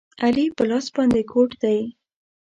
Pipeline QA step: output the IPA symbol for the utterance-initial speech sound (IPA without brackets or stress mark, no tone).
a